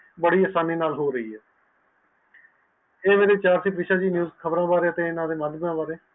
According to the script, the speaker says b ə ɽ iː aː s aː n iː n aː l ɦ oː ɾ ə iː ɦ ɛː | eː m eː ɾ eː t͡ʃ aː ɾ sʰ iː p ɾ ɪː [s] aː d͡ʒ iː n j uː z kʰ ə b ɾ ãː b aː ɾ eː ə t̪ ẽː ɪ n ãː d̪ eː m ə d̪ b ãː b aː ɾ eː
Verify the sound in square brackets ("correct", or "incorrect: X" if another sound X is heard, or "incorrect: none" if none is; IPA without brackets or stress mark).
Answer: incorrect: ʃ